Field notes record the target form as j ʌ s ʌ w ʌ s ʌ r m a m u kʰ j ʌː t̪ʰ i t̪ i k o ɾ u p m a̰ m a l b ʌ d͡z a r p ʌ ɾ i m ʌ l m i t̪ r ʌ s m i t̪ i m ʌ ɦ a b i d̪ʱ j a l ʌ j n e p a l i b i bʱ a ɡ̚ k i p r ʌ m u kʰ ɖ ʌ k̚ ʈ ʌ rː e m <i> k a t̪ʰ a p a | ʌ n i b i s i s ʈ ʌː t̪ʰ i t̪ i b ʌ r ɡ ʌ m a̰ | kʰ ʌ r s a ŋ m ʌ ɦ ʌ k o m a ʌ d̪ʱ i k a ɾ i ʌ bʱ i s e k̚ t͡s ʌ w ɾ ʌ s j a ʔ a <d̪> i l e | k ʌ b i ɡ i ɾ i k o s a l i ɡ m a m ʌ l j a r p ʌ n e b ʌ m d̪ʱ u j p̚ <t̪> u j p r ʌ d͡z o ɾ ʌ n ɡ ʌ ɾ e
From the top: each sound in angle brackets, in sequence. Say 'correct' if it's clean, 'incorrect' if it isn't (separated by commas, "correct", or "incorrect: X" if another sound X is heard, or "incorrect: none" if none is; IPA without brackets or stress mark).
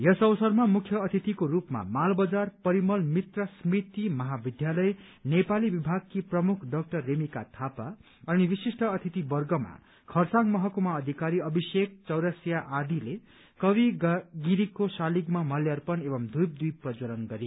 correct, correct, incorrect: d̪